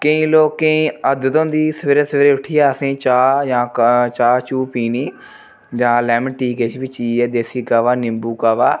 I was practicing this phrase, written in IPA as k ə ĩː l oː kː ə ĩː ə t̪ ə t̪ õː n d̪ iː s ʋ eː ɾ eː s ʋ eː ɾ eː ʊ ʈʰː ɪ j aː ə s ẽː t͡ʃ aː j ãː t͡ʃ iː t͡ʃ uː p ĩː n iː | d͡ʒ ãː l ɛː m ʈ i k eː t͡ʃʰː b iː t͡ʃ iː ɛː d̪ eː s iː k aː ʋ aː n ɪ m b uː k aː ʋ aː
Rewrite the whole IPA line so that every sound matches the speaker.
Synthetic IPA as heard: k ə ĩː l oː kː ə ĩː ə d̪ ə t̪ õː n d̪ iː s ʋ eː ɾ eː s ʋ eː ɾ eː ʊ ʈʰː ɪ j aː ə s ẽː t͡ʃ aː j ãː t͡ʃ aː t͡ʃ uː p iː n iː | d͡ʒ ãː l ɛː m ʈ iː k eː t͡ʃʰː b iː t͡ʃ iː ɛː d̪ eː s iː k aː ʋ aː n ɪ m b uː k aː ʋ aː